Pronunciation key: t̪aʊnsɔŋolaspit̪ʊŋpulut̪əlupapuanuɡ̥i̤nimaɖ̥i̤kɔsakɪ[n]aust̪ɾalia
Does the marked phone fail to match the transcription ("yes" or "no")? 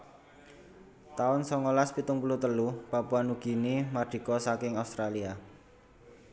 yes